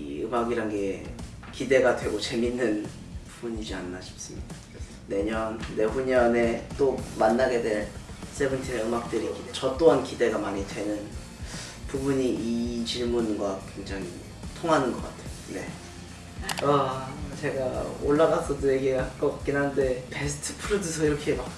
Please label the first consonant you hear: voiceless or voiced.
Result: voiced